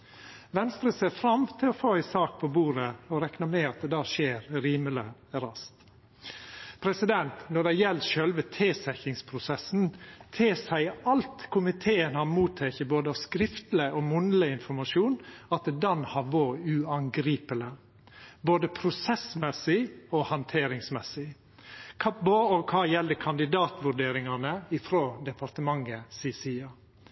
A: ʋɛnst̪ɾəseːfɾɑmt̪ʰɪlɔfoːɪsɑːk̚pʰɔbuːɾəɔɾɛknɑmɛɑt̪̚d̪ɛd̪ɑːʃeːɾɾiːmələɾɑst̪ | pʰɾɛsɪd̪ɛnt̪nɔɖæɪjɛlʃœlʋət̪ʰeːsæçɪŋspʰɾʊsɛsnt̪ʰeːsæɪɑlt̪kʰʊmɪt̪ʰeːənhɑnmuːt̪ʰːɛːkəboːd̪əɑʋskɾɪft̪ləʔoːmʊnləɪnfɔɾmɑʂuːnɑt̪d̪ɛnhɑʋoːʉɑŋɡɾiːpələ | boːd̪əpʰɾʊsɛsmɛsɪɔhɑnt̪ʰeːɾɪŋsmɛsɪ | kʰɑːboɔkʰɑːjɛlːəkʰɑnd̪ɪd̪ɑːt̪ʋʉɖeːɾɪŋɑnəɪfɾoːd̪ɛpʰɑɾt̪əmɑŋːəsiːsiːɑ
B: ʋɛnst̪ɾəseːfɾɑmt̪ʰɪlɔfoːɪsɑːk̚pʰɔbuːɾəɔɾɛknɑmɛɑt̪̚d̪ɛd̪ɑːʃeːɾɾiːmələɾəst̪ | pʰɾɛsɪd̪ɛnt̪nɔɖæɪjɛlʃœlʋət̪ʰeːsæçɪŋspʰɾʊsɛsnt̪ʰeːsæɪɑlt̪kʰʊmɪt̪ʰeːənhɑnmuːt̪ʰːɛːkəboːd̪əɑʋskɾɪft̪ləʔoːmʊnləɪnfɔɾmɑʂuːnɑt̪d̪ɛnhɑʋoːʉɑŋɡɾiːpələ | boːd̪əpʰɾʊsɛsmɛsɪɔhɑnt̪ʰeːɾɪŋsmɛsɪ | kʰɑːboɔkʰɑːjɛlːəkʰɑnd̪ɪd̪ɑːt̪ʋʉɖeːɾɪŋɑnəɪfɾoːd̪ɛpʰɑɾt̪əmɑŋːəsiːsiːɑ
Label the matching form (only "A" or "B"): A